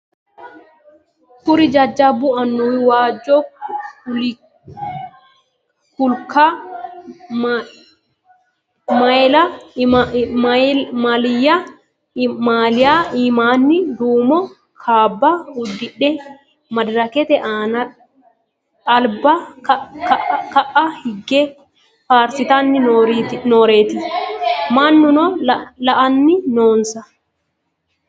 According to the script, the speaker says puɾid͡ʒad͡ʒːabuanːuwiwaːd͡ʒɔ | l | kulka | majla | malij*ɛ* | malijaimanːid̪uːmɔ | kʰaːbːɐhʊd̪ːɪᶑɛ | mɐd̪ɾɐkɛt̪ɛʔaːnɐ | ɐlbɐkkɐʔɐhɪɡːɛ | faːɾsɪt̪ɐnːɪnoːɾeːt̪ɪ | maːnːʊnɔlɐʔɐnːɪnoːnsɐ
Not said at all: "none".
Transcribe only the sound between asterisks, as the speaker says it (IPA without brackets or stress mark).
a